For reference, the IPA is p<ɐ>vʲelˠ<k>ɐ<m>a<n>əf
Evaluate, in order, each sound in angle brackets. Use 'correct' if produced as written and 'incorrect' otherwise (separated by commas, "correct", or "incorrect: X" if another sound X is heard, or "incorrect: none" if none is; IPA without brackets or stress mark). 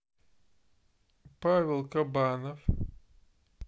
incorrect: a, correct, incorrect: b, correct